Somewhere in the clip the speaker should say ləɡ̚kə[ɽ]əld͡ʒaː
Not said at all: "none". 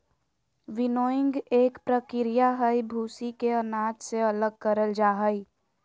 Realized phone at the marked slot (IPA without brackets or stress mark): ɾ